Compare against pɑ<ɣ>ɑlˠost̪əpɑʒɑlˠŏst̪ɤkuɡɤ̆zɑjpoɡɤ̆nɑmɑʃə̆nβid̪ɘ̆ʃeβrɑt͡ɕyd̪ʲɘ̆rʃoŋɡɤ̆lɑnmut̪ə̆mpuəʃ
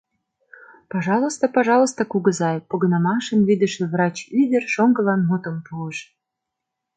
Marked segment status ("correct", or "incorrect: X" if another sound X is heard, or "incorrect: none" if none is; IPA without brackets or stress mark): incorrect: ʒ